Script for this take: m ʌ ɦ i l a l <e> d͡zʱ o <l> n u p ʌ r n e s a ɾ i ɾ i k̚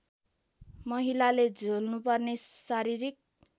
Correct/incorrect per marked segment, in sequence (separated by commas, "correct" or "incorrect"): correct, correct